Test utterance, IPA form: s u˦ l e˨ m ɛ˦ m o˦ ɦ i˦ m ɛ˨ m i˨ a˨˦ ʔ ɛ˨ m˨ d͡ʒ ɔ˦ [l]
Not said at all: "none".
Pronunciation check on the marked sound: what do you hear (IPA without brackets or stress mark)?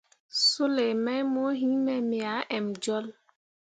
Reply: l